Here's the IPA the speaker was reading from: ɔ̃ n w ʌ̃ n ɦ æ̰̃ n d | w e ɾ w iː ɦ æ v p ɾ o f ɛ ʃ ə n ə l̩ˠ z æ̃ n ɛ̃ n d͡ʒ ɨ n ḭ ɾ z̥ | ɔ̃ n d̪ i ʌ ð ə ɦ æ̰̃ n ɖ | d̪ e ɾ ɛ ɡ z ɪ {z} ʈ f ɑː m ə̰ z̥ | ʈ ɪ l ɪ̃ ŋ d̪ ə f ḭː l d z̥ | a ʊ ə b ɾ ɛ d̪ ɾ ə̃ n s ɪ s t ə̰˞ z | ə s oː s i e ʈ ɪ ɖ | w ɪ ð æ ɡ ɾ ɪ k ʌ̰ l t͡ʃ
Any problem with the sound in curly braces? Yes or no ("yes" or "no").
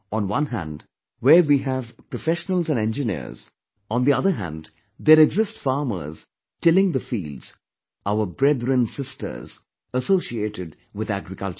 yes